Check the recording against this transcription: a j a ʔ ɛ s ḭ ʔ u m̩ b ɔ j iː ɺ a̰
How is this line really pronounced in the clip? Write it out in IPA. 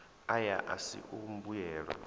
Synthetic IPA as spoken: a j a ʔ a s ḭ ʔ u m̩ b u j ɛː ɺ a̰